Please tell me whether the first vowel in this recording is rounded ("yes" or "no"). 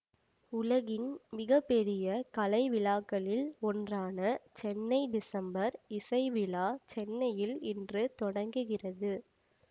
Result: yes